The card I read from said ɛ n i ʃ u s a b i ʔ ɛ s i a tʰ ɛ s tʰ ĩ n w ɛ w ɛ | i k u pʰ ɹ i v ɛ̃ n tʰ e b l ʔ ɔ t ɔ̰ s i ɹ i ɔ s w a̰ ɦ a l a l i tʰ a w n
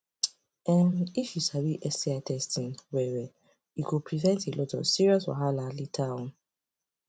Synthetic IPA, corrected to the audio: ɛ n i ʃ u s a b i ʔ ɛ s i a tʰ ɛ s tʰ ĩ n w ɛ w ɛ | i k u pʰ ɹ i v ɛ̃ n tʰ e l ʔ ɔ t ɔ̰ s i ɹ i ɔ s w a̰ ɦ a l a l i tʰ a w n